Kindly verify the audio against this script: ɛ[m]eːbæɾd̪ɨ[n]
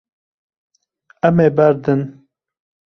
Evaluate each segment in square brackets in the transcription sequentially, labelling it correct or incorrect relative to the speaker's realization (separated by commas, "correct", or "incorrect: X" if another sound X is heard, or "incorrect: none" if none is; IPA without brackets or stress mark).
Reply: correct, correct